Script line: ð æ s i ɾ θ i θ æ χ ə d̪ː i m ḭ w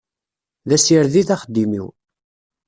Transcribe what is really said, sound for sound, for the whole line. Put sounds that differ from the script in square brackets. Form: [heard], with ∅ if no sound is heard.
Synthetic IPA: ð æ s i ɾ [ð] i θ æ χ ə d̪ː i m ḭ w